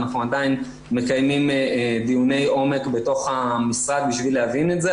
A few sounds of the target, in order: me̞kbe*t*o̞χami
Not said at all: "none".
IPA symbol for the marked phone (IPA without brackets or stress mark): t